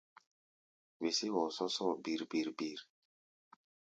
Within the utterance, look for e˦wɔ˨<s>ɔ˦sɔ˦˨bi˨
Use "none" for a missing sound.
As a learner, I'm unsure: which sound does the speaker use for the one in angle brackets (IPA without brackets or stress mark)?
s